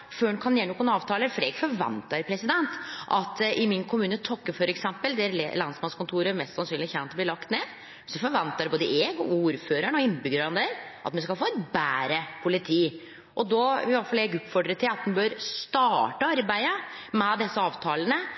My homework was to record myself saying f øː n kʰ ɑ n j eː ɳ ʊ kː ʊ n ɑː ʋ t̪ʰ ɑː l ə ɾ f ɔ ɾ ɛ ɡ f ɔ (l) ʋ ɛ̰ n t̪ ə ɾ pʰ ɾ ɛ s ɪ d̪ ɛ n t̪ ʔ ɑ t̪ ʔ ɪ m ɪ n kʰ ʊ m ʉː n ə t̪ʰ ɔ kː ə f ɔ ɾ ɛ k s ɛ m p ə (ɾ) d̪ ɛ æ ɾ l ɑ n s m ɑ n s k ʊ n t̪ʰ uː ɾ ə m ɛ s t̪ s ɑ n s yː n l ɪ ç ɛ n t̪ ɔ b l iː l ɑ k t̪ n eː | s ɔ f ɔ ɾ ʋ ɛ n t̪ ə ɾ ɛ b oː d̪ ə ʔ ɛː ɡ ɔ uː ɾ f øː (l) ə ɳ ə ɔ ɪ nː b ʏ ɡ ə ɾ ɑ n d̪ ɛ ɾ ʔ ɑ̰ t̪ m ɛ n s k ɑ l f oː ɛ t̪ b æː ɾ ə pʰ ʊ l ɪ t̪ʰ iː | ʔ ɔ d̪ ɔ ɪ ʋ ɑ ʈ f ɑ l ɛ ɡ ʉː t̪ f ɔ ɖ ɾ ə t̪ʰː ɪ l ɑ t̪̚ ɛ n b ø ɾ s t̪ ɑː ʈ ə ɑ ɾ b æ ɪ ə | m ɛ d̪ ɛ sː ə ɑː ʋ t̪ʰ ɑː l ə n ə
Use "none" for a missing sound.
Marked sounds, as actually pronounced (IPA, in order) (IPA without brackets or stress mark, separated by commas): ɾ, l, ɾ